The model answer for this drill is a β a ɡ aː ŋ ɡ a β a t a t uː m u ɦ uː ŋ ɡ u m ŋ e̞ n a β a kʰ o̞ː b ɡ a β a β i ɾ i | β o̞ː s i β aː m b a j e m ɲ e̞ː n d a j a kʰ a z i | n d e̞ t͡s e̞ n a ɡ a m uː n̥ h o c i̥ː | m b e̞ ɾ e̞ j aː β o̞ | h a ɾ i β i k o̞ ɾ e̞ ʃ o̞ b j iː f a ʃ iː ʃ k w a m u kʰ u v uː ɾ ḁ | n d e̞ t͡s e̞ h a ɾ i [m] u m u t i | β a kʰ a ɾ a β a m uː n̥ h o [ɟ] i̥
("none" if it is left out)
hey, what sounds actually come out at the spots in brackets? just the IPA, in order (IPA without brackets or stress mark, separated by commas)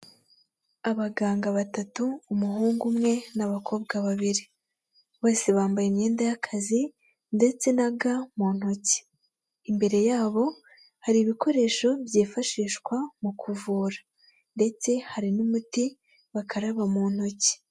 n, c